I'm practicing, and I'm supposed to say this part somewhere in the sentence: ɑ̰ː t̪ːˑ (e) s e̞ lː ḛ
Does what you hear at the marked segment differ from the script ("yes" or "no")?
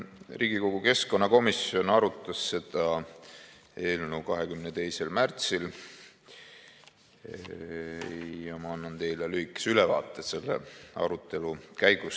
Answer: no